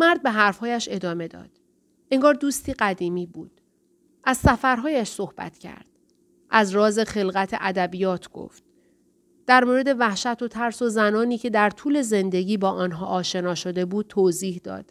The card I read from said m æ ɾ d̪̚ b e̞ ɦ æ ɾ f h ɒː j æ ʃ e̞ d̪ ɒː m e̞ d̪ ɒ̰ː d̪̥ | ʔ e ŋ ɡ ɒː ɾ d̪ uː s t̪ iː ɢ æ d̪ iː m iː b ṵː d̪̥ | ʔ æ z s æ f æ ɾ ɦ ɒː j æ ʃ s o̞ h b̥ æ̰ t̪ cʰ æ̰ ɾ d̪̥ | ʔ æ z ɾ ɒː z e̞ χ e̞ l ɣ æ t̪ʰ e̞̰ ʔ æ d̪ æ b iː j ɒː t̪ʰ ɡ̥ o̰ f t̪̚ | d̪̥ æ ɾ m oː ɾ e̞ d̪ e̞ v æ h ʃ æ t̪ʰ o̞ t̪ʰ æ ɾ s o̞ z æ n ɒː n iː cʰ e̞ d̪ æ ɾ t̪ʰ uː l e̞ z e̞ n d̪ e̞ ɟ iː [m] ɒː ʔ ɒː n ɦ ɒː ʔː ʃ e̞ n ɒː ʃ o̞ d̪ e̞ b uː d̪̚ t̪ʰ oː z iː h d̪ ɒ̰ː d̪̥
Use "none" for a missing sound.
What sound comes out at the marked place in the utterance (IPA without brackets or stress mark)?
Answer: b